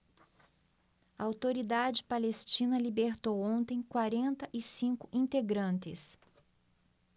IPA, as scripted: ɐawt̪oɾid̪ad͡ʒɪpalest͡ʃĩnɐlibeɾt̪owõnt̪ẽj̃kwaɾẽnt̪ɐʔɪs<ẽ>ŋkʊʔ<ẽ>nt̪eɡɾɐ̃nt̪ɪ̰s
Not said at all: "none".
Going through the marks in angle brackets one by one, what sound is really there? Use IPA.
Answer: ĩ, ĩ

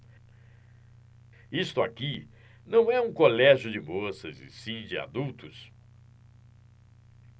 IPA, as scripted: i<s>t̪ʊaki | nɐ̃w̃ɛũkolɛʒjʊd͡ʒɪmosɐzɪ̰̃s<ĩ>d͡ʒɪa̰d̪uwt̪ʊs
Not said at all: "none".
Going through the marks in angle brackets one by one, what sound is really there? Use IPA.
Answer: s, ĩ

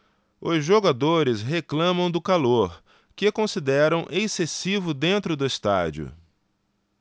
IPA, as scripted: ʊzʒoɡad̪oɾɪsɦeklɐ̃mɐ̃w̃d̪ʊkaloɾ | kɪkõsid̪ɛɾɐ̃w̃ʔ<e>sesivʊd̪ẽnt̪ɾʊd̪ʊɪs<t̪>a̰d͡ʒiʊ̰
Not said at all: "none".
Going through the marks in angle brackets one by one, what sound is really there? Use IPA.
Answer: e, t̪

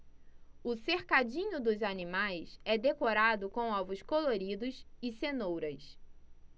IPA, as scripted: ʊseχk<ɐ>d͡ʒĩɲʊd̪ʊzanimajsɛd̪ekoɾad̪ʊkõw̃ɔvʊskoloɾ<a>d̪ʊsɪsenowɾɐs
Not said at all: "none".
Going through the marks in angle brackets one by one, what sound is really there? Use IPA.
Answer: a, i

